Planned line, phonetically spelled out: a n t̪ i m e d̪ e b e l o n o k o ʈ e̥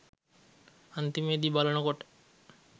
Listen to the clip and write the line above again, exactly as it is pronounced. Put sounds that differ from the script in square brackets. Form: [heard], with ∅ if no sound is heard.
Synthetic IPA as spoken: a n t̪ i m e d̪ [i] b [a] l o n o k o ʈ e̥